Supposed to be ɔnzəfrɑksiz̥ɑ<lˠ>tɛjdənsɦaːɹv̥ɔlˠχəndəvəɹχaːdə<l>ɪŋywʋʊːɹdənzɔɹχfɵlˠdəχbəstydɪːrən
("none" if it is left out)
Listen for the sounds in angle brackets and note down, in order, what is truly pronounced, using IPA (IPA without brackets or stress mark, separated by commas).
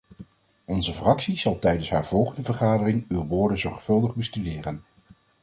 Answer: lˠ, r